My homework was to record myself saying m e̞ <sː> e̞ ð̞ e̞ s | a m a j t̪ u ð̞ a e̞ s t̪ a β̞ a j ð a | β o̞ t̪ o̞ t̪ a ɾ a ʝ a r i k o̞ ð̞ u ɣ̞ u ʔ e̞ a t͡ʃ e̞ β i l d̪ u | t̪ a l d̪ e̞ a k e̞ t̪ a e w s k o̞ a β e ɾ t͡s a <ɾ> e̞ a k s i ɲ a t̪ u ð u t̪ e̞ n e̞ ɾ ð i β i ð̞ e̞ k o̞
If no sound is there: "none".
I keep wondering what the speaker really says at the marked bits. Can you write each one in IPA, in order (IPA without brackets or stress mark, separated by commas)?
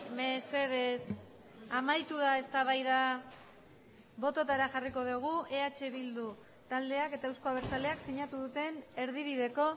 s, l